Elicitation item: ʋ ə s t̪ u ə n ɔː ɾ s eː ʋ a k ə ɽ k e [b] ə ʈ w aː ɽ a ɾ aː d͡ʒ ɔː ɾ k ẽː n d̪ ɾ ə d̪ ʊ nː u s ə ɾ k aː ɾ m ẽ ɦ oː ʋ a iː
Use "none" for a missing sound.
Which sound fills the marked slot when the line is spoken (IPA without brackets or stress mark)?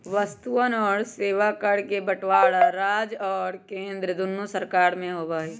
b